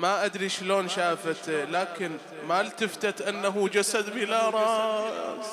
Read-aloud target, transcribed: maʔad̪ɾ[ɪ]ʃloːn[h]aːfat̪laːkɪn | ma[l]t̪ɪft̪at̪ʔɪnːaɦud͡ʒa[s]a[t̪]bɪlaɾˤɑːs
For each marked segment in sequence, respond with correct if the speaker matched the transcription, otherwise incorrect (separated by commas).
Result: incorrect, incorrect, correct, correct, incorrect